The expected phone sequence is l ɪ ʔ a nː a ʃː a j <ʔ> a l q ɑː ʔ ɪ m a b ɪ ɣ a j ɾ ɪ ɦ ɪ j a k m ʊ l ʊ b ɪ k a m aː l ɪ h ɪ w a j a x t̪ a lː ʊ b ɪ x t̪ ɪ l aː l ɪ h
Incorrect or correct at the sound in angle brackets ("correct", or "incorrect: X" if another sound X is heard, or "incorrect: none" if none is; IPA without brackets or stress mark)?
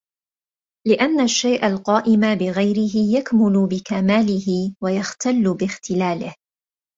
correct